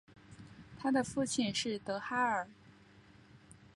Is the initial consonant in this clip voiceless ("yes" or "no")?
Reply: yes